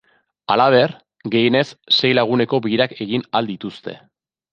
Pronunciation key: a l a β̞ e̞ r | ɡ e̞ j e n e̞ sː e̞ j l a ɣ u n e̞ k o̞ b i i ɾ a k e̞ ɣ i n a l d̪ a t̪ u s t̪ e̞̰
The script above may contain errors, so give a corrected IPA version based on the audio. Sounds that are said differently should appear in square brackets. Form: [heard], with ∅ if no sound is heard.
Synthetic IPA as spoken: a l a β̞ e̞ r | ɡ e̞ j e n e̞ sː e̞ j l a ɣ u n e̞ k o̞ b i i ɾ a k e̞ ɣ i n a l d̪ [i] t̪ u s t̪ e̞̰